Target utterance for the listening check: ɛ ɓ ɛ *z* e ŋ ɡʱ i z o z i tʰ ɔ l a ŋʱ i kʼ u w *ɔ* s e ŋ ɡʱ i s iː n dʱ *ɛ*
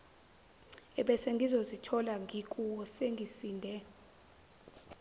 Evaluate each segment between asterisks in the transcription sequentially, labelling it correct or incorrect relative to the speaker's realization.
incorrect, correct, correct

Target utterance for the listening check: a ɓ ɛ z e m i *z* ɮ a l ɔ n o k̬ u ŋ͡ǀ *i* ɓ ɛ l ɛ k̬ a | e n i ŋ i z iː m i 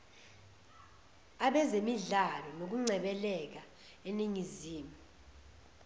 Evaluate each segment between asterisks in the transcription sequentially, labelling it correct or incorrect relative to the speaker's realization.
incorrect, incorrect

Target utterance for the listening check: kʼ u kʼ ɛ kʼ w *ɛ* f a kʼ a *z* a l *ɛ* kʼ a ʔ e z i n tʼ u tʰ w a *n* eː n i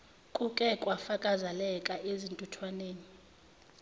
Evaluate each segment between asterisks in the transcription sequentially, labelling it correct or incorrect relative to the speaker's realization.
incorrect, correct, correct, correct

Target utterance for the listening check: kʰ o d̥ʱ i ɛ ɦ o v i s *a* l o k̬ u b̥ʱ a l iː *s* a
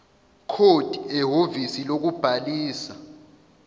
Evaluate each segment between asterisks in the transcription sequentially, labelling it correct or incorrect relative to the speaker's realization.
incorrect, correct

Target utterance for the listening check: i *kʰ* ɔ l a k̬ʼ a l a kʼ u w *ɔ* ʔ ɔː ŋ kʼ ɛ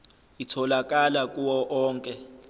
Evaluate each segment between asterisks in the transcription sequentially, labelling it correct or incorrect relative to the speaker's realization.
incorrect, correct

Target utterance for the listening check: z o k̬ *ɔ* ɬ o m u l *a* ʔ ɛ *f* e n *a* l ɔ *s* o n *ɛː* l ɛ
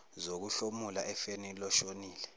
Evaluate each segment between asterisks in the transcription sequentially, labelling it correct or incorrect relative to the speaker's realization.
incorrect, correct, correct, incorrect, incorrect, incorrect

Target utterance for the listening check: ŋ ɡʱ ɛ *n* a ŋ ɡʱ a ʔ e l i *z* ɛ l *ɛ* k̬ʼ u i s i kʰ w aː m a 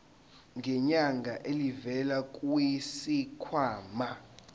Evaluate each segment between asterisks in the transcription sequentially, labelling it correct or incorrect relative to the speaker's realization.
incorrect, incorrect, incorrect

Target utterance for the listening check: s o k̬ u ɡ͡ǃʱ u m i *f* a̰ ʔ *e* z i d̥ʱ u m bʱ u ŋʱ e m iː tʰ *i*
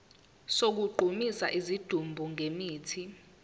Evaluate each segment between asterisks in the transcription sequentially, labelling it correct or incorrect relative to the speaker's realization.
incorrect, incorrect, correct

